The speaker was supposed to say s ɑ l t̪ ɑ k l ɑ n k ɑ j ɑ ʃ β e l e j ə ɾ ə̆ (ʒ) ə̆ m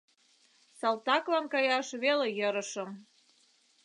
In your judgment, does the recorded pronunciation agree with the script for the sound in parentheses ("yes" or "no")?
no